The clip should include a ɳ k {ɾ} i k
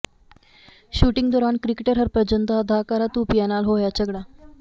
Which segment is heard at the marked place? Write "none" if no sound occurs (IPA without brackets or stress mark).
ɾ